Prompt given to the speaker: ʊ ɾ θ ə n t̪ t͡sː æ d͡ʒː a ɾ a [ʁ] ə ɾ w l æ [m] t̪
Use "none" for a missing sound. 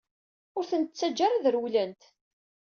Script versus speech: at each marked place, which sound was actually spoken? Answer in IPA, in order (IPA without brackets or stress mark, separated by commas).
ð, n